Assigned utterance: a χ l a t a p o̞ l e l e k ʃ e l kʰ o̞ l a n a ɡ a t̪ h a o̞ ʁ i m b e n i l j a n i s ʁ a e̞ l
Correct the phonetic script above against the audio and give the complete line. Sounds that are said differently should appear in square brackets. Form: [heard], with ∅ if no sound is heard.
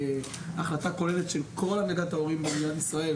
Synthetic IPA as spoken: a χ l a t a [k] o̞ l e l e [t] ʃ e l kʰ o̞ l a n a ɡ a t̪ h a o̞ ʁ i m b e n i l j a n i s ʁ a e̞ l